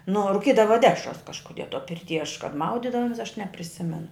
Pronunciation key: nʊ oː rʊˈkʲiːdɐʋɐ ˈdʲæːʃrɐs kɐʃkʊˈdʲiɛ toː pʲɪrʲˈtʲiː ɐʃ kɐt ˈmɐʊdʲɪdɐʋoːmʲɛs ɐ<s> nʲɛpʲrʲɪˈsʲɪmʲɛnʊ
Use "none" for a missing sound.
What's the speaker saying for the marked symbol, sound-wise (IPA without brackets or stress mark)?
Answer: ʃ